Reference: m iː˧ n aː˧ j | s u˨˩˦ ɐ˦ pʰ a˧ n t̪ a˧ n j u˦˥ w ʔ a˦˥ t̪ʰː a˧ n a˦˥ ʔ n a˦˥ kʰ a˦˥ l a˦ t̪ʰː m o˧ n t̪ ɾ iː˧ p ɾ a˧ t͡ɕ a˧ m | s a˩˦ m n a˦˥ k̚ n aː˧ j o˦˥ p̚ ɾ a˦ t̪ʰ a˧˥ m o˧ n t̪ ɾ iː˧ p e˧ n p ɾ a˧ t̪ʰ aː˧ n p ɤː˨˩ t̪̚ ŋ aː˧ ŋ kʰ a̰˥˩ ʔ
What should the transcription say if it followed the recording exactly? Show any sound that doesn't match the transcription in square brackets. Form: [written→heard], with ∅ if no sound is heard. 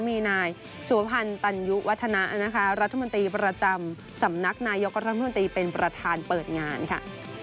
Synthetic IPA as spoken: m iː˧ n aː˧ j | s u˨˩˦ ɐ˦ pʰ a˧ n t̪ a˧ n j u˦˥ w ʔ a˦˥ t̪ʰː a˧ n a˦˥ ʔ n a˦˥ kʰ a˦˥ [l→ɾ] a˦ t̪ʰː m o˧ n t̪ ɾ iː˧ p ɾ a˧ t͡ɕ a˧ m | s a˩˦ m n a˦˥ k̚ n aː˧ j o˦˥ [p̚→k̚] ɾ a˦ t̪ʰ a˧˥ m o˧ n t̪ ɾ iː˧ p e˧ n p ɾ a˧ t̪ʰ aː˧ n p ɤː˨˩ t̪̚ ŋ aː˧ [ŋ→n] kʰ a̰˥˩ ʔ